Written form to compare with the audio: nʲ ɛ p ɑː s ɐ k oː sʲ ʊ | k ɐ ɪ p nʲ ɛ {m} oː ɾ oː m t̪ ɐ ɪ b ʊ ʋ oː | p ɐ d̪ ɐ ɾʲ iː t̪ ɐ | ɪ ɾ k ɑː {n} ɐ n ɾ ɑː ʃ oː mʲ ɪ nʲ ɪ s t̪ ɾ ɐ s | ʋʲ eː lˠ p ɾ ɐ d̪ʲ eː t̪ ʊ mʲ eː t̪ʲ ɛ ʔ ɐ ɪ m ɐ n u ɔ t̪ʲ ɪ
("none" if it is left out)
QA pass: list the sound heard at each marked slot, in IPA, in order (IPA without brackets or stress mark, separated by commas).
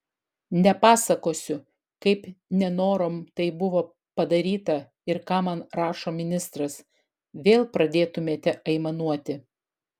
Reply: n, m